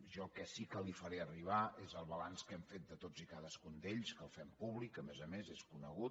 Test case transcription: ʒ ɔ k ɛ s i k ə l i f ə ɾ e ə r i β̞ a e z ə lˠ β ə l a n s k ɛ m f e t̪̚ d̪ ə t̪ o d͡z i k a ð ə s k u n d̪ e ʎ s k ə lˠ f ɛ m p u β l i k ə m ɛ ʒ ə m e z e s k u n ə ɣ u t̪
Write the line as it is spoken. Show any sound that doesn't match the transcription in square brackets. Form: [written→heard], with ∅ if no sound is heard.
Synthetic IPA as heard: ʒ ɔ k ɛ s i k ə l i f ə ɾ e ə r i β̞ a e z ə lˠ β ə l a n s k ɛ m f e t̪̚ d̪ ə t̪ o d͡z i k a ð ə s k u n d̪ e ʎ s k ə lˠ f ɛ m p u β l i k ə m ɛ [ʒ→z] ə m e z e s k u n ə ɣ u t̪